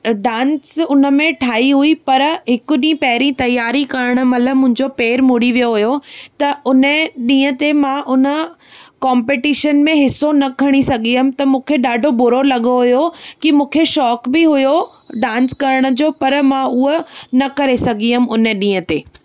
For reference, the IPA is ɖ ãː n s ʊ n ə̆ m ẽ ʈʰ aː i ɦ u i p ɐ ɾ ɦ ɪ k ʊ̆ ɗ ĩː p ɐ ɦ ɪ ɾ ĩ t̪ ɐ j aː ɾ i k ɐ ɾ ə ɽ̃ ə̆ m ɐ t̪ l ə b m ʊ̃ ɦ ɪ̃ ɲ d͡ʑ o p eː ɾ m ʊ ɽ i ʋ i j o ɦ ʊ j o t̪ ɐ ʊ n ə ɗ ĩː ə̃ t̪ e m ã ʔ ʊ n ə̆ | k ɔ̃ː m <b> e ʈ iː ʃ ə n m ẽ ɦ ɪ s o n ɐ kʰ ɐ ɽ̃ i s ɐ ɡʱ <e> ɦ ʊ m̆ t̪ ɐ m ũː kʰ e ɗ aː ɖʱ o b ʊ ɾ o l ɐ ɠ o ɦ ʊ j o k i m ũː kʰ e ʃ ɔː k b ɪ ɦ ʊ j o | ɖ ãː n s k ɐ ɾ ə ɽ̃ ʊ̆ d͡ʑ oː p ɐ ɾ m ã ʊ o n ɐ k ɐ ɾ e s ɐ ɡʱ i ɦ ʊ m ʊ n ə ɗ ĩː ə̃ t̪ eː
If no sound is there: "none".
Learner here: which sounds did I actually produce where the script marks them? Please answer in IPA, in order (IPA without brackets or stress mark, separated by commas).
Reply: p, i